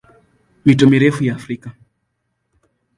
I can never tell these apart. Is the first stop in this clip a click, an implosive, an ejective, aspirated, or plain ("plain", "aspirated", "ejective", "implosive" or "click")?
plain